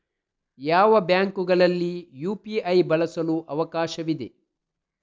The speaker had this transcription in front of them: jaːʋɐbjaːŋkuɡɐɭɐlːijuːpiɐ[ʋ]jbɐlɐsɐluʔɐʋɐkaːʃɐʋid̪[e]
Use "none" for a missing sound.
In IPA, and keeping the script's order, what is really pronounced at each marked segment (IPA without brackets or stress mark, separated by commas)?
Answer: none, e